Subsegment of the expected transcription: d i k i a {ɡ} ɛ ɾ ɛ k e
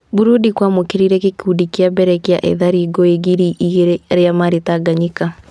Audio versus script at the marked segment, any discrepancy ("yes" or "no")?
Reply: yes